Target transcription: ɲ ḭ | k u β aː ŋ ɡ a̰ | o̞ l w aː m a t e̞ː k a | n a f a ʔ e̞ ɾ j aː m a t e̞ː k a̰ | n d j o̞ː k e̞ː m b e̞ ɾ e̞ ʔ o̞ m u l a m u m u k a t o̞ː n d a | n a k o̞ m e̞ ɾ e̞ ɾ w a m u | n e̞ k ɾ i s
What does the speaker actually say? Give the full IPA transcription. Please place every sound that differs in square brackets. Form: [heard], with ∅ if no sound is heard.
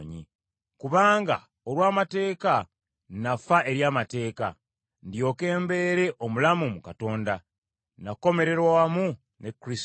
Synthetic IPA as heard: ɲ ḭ | k u β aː ŋ ɡ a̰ | o̞ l w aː m a t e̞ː k a | n a f a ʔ e̞ ɾ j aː m a t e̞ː k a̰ | n d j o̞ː k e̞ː m b e̞ ɾ e̞ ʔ o̞ m u l a m u m u k a t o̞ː n d a | n a k o̞ m e̞ ɾ e̞ ɾ w a m u | n e̞ k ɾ i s

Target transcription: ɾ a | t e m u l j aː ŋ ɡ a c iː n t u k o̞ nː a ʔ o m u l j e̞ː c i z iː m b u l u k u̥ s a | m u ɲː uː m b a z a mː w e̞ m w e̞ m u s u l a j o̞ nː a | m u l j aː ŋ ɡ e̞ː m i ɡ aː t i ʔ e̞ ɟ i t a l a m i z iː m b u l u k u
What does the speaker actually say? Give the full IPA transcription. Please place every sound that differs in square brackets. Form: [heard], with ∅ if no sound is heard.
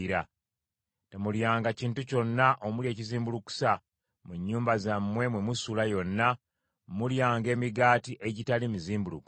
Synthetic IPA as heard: ɾ a | t e m u l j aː ŋ ɡ a c iː n t u [c] o̞ nː a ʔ o m u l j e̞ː c i z iː m b u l u k u̥ s a | m u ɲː uː m b a z a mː w e̞ m w e̞ m u s u l a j o̞ nː a | m u l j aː ŋ ɡ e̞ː m i ɡ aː t i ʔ e̞ ɟ i t a l [i] m i z iː m b u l u k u

